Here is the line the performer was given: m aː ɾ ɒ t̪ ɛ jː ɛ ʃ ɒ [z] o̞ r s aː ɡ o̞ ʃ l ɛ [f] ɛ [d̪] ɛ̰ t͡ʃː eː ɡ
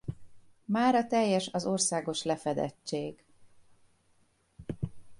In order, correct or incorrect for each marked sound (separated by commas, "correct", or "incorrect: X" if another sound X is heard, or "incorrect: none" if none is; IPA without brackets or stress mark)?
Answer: correct, correct, correct